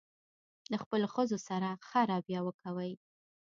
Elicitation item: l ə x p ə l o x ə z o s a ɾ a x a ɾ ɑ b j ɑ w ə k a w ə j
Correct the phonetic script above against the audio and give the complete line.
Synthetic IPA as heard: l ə x p ə l o x ə z o s a ɾ a x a ɾ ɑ b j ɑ w ə k a w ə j